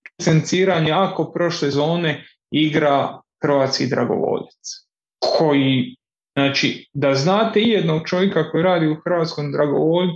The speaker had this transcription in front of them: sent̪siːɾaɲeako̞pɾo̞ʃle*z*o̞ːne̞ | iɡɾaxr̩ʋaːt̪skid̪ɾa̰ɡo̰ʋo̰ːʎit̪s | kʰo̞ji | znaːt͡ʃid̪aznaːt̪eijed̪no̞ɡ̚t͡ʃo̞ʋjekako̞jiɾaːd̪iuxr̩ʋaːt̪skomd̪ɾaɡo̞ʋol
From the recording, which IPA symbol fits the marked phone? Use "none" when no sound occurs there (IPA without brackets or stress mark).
z